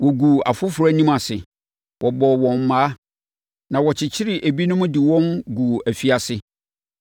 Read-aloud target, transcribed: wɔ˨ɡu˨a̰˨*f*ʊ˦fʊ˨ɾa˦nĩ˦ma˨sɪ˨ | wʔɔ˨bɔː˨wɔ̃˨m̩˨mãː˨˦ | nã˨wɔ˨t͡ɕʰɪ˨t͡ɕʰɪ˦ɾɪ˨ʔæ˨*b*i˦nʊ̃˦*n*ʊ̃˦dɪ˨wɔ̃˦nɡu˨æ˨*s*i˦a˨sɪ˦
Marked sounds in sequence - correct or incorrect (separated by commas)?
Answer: correct, correct, incorrect, incorrect